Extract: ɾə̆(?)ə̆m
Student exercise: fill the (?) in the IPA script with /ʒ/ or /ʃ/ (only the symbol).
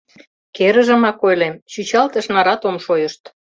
ʒ